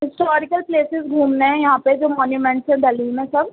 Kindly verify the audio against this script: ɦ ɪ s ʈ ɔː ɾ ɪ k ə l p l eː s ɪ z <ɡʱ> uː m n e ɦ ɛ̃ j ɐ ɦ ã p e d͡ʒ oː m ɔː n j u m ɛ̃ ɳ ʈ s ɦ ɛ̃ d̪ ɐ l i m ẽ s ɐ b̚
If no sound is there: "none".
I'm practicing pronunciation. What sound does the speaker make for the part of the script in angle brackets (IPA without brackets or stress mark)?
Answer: ɡʱ